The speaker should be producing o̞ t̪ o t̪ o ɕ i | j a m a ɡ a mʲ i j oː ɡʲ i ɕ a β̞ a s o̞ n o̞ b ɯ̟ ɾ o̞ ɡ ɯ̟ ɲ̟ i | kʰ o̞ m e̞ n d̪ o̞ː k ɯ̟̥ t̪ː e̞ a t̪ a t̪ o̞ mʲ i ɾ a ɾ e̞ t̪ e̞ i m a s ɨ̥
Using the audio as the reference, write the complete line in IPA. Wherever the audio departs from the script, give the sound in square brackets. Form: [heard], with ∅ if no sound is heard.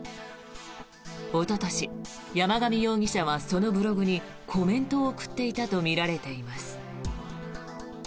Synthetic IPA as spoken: o̞ t̪ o t̪ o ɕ i | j a m a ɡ a mʲ i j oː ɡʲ i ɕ a β̞ a s o̞ n o̞ b ɯ̟ ɾ o̞ ɡ ɯ̟ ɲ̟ i | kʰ o̞ m [ẽ̞] n [t̪] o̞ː k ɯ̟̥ t̪ː e̞ [i] t̪ a t̪ o̞ mʲ i ɾ a ɾ e̞ t̪ e̞ i m a s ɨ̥